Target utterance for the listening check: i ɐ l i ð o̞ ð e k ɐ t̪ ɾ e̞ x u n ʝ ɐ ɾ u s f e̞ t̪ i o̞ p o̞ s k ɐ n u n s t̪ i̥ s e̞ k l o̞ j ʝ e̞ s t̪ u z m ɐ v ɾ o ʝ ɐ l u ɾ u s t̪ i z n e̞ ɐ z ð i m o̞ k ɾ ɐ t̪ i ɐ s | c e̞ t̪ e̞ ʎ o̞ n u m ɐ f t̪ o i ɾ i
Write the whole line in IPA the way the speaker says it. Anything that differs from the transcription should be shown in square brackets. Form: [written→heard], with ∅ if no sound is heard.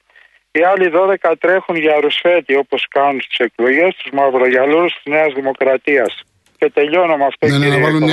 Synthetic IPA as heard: i ɐ l i ð o̞ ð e k ɐ t̪ ɾ e̞ x u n ʝ ɐ ɾ u s f e̞ t̪ i o̞ p o̞ s k ɐ n u n s t̪ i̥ s e̞ k l o̞ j ʝ e̞ s t̪ u z m ɐ v ɾ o ʝ ɐ l u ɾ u s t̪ i z n e̞ ɐ z ð i m o̞ k ɾ ɐ t̪ i ɐ s | c e̞ t̪ e̞ ʎ o̞ n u m ɐ f t̪ o i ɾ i